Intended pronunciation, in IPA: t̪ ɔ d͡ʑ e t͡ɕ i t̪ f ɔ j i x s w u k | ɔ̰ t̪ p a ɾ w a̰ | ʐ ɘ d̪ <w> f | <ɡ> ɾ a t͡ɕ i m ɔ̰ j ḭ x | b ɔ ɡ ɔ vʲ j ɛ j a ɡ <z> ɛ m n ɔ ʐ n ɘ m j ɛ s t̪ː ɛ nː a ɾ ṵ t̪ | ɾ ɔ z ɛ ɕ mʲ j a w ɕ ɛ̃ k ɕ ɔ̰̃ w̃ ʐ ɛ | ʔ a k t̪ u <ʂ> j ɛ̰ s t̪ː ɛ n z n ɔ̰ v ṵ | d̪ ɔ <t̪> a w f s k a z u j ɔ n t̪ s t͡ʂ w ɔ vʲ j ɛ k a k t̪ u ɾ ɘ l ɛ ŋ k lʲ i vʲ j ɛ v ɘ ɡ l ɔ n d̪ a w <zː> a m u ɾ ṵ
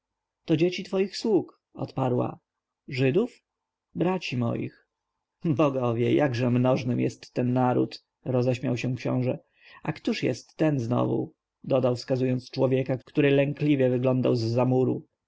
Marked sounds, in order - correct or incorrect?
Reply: incorrect: u, incorrect: b, incorrect: ʐ, correct, incorrect: d̪, correct

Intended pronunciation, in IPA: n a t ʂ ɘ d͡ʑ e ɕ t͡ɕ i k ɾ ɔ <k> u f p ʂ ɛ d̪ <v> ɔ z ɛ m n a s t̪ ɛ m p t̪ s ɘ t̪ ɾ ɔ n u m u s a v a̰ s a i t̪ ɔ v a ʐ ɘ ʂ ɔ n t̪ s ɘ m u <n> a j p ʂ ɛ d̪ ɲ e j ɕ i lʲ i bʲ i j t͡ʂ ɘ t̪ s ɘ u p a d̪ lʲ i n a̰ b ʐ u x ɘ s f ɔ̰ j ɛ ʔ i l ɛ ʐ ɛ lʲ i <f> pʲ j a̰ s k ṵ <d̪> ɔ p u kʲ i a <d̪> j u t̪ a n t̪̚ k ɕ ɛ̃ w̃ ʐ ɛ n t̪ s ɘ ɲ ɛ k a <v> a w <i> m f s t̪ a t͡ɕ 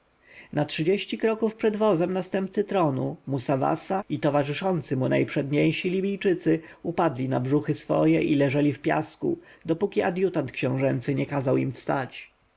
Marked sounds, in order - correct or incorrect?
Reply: correct, correct, correct, correct, correct, correct, incorrect: z, correct

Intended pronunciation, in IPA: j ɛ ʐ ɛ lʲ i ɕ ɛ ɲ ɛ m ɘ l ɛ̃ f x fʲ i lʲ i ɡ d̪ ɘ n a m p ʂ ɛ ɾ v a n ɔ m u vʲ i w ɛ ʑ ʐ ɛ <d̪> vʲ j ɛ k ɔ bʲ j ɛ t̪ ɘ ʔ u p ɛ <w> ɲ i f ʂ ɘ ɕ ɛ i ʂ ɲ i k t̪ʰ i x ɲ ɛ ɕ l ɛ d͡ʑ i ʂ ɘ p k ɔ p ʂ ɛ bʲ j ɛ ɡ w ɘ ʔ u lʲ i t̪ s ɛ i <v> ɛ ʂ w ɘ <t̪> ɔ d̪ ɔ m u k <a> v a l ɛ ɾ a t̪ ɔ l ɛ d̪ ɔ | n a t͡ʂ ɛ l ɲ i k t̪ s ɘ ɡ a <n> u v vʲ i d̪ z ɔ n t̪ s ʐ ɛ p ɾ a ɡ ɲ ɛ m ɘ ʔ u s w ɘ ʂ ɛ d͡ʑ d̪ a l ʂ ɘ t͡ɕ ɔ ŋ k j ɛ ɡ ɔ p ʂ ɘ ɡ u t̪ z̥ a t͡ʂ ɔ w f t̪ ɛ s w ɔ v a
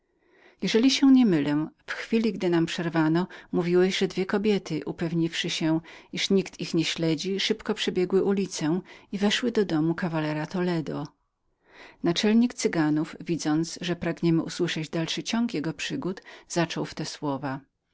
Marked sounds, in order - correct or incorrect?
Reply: correct, incorrect: v, correct, incorrect: d̪, correct, correct

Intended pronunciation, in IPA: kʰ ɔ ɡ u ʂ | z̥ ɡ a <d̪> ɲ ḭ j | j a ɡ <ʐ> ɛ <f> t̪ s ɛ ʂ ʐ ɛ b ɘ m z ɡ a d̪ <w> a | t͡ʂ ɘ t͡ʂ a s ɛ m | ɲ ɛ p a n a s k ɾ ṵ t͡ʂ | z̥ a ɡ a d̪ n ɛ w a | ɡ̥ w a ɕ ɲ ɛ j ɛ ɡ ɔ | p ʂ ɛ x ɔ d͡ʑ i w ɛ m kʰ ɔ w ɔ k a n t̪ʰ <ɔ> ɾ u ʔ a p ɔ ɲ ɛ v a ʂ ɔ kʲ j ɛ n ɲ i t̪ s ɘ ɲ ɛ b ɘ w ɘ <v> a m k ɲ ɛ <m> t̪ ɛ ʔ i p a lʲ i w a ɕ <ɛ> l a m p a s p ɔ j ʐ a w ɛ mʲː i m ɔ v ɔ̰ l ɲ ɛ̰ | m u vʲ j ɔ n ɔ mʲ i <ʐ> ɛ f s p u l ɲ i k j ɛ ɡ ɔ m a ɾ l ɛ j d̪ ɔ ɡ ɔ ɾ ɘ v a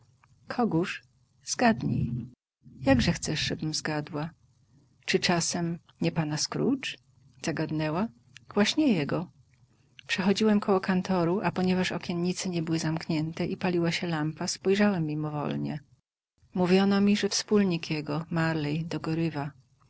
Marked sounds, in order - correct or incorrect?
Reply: correct, correct, incorrect: x, correct, correct, incorrect: z, incorrect: n, correct, correct

